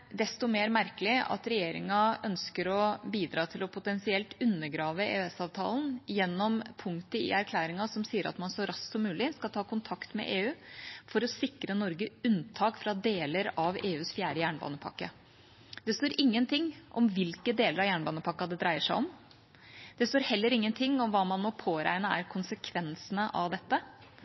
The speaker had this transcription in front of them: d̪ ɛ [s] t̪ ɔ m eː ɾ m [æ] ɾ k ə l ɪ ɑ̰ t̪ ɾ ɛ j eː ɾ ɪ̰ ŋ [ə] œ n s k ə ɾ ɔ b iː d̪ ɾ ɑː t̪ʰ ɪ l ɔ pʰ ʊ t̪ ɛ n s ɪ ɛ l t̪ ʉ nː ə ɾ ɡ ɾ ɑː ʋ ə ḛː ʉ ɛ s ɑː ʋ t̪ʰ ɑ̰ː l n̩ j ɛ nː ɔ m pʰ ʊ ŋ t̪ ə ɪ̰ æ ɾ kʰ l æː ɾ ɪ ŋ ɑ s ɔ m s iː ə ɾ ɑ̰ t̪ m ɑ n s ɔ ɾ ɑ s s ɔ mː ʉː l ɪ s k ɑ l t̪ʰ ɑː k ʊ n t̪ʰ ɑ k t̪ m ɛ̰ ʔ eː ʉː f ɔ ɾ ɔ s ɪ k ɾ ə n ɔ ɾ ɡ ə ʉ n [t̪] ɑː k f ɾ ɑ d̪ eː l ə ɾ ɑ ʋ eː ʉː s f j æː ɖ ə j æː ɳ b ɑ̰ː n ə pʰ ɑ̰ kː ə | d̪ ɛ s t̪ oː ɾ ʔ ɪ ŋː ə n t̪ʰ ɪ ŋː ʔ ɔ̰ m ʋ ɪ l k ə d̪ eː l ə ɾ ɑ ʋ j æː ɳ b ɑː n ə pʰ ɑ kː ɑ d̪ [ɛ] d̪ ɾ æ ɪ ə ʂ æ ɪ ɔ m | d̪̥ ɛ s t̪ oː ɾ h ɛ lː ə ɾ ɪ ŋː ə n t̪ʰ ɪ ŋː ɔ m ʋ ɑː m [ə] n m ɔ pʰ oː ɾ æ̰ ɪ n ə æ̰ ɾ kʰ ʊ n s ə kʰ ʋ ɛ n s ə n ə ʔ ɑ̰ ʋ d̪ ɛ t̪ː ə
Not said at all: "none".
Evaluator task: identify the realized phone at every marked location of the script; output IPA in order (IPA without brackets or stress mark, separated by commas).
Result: s, æ, ɑ, t̪ʰ, ɛ, ɑ